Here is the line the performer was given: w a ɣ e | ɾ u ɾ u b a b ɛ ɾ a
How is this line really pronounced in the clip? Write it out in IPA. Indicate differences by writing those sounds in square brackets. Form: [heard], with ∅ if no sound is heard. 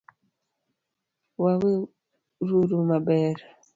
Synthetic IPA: w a [w] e | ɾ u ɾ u [m] a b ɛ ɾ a